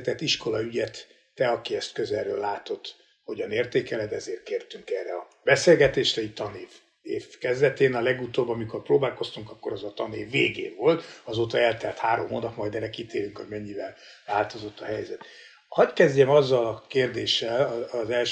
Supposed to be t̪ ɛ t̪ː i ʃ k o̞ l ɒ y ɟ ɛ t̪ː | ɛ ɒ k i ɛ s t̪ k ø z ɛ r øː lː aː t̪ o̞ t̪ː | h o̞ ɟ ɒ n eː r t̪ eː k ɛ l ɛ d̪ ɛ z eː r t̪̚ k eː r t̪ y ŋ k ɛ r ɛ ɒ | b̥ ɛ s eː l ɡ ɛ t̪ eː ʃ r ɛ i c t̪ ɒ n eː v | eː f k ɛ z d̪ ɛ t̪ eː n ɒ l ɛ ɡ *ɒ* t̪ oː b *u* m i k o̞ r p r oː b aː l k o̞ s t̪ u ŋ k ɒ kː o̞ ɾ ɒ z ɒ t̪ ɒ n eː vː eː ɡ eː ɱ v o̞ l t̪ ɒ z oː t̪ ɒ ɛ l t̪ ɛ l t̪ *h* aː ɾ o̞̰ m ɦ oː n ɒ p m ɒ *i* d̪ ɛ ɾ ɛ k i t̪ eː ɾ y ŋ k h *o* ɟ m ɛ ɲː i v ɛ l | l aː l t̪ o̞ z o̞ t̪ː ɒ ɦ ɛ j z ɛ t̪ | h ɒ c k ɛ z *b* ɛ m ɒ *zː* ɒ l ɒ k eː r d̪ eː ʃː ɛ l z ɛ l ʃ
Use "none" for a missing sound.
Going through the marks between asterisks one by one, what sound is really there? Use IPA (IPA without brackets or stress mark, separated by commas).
u, ɒ, h, j, o, ɟ, zː